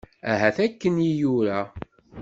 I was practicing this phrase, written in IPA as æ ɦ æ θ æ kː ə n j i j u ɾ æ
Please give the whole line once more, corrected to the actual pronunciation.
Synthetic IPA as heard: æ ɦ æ θ æ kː ə n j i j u ɾ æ